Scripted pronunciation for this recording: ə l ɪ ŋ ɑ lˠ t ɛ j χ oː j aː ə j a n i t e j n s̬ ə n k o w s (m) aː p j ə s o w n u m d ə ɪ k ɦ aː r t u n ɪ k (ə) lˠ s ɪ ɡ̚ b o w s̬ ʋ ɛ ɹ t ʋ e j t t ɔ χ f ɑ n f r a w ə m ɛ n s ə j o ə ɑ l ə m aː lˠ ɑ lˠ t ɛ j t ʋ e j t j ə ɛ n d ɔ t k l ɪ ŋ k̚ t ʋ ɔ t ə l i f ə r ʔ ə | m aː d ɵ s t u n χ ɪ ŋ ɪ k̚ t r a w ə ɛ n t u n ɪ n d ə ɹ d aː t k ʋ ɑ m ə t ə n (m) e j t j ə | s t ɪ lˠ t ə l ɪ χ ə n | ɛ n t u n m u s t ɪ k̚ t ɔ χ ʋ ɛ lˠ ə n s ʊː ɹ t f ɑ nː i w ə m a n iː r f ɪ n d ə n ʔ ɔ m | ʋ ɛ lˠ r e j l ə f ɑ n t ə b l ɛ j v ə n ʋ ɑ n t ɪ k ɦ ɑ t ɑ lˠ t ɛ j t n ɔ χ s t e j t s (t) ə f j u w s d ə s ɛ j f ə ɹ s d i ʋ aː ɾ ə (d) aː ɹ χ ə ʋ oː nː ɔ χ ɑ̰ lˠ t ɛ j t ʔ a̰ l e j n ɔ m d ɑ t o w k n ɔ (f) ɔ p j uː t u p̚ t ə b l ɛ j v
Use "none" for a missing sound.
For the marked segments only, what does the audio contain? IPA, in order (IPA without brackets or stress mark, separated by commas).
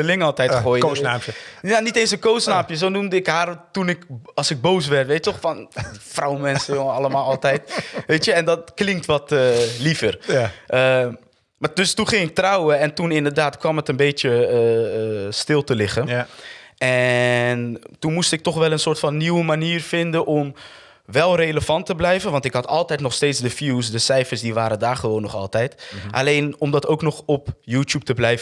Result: n, ɑ, b, d, d, χ